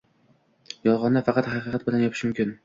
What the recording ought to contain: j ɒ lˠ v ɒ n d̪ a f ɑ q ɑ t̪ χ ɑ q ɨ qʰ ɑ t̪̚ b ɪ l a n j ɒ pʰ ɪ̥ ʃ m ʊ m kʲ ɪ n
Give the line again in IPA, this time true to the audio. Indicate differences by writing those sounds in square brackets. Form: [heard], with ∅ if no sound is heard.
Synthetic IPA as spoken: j ɒ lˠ [ʁ] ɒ n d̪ a f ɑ q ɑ t̪ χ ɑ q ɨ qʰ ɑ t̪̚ b ɪ l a n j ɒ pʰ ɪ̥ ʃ m ʊ m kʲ ɪ n